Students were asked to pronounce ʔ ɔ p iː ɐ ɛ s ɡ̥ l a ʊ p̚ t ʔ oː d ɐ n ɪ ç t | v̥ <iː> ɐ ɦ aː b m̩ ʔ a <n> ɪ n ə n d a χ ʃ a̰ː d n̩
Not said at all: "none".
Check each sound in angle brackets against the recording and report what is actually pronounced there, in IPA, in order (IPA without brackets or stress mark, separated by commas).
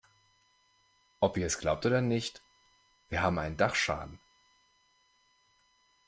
iː, none